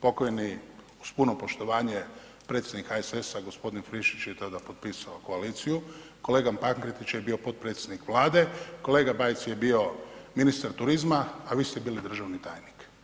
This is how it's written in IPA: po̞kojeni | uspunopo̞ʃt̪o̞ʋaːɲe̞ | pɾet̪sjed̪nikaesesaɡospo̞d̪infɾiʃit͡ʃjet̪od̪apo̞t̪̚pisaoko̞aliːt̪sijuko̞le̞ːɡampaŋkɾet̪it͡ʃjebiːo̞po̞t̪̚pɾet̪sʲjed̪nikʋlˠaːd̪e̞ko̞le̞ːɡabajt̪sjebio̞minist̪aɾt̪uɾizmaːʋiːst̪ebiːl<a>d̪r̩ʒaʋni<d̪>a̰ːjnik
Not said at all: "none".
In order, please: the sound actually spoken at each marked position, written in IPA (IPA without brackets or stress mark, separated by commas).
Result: i, t̪